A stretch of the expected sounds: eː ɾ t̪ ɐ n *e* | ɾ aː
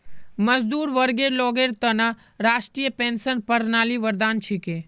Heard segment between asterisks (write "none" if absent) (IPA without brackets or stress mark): a